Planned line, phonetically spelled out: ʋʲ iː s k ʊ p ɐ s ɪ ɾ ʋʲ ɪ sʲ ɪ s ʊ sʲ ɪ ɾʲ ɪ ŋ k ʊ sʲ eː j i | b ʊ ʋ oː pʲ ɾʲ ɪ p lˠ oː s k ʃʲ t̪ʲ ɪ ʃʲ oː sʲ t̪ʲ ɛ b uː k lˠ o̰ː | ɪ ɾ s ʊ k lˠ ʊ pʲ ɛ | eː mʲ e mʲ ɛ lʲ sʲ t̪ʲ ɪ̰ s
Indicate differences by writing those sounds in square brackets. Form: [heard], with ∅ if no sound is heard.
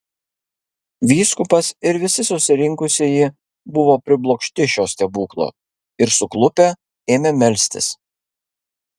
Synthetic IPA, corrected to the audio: ʋʲ iː s k ʊ p ɐ s ɪ ɾ ʋʲ ɪ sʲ ɪ s ʊ sʲ ɪ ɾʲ ɪ ŋ k ʊ sʲ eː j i | b ʊ ʋ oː pʲ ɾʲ ɪ [b] lˠ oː [∅] k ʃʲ t̪ʲ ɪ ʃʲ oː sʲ t̪ʲ ɛ b uː k lˠ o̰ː | ɪ ɾ s ʊ k lˠ ʊ pʲ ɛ | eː mʲ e mʲ ɛ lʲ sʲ t̪ʲ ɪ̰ s